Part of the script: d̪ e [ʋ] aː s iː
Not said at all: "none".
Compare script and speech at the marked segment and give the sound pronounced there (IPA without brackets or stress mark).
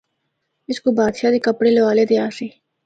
none